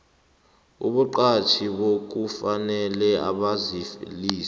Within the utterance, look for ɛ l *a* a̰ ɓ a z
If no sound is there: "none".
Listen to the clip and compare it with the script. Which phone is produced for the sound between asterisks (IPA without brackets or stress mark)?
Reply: ɛ